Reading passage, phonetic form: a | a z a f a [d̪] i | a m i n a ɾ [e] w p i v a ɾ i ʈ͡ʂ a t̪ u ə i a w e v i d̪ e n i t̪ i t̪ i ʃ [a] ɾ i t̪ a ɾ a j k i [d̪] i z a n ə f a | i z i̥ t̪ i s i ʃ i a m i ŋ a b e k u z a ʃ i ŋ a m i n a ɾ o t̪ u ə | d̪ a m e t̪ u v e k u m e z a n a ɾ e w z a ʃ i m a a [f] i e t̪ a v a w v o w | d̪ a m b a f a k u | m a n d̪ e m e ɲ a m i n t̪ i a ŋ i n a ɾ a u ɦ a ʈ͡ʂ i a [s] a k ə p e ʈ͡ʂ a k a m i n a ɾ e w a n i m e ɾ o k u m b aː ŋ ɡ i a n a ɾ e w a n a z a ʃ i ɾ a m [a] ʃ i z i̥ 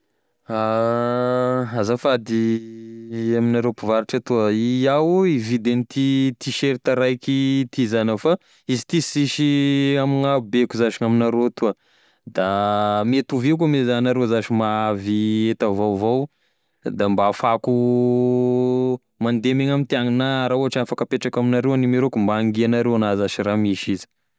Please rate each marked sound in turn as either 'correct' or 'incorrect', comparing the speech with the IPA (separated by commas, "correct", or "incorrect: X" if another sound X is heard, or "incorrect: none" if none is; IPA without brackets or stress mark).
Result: correct, correct, incorrect: e, incorrect: t̪, incorrect: v, incorrect: f, incorrect: i